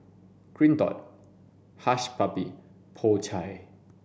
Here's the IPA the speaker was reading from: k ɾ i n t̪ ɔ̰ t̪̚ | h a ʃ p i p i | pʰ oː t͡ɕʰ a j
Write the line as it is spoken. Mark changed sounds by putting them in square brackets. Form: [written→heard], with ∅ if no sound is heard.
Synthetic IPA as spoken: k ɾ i n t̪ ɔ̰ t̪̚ | h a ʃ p [i→a] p i | pʰ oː t͡ɕʰ a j

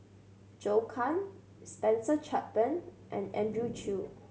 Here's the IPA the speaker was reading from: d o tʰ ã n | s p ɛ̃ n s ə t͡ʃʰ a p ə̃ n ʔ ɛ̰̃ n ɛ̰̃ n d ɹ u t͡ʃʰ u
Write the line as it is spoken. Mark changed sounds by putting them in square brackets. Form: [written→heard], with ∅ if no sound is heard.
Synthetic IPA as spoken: [d→d͡ʒ] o [tʰ→kʰ] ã n | s p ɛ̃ n s ə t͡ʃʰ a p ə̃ n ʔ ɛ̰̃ n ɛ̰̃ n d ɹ u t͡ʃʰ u

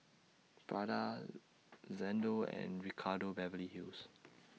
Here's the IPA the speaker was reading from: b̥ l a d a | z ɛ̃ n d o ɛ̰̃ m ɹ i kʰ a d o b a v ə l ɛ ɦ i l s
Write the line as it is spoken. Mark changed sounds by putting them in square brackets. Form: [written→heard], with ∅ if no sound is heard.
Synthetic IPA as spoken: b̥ [l→ɹ] a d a | z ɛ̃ n d o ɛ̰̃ [m→n] ɹ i kʰ a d o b [a→ɛ] v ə l [ɛ→i] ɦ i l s

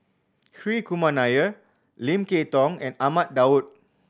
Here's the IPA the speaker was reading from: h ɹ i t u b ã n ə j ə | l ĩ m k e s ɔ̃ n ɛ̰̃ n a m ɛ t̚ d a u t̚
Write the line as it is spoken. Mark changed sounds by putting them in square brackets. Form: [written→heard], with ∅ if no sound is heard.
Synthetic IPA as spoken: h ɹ i [t→k] u [b→m] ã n [ə→a] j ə | l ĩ m k e [s→t] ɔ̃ [n→ŋ] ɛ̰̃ n a m [ɛ→a] t̚ d a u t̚

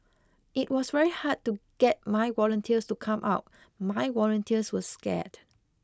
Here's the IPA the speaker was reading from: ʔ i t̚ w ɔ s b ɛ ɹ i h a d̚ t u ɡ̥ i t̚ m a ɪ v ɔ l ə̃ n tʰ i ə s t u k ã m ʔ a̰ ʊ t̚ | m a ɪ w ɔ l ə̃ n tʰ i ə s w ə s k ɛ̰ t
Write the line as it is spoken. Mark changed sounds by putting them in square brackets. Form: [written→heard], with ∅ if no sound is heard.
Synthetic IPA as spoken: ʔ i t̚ w ɔ s [b→v] ɛ ɹ i h a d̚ t u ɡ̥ [i→ɛ] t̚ m a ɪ [v→w] ɔ l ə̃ n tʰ i ə s t u [k→kʰ] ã m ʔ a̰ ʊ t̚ | m a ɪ w ɔ l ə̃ n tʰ i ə s w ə s k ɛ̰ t

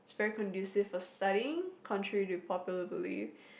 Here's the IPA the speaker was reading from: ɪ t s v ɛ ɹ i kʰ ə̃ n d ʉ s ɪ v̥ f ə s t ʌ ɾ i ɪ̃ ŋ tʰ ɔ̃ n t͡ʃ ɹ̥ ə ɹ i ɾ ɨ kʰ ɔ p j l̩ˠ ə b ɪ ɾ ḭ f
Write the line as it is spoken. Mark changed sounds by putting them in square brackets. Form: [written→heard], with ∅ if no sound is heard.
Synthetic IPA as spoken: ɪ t s v ɛ ɹ i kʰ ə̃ n d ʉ s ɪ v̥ f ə s t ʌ ɾ i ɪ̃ ŋ [tʰ→kʰ] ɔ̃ n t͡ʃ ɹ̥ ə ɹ i ɾ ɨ [kʰ→pʰ] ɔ p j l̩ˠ ə b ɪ [ɾ→l] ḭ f

